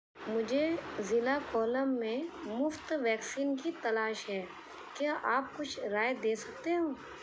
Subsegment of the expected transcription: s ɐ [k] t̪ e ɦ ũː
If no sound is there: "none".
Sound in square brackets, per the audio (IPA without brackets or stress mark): k